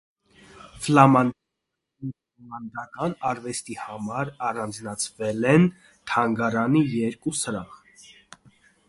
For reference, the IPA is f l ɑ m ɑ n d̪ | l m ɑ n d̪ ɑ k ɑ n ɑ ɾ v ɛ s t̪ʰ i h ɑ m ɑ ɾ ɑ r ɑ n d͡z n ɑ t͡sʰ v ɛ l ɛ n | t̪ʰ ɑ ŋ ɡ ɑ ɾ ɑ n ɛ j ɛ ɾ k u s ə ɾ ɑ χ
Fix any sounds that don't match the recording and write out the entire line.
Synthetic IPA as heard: f l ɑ m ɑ n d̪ | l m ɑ n d̪ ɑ k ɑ n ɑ ɾ v ɛ s t̪ i h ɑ m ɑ ɾ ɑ r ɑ n d͡z n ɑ t͡sʰ v ɛ l ɛ n | t̪ʰ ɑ ŋ ɡ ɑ ɾ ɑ n i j ɛ ɾ k u s ə ɾ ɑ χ